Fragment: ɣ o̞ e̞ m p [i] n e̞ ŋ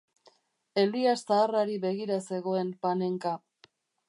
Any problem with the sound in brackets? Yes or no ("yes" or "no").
yes